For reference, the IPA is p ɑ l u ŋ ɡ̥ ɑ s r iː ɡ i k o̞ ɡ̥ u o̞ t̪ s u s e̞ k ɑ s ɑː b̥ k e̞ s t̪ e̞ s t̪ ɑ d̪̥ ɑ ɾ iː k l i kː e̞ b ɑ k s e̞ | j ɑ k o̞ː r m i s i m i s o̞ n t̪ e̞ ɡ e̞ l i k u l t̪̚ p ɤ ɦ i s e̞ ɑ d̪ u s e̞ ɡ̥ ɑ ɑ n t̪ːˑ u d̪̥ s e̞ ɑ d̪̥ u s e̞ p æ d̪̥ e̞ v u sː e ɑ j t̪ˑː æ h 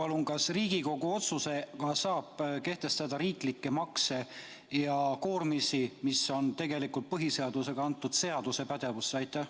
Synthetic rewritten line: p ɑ l u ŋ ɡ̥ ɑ s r iː ɡ i k o̞ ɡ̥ u o̞ t̪ s u s e̞ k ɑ s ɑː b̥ k e̞ h t̪ e̞ s t̪ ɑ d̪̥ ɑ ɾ iː k l i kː e̞ m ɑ k s e̞ | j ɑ k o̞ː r m i s i m i s o̞ n t̪ e̞ ɡ e̞ l i k u l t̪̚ p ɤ ɦ i s e̞ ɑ d̪ u s e̞ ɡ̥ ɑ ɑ n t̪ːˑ u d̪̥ s e̞ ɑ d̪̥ u s e̞ p æ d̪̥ e̞ v u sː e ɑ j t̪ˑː æ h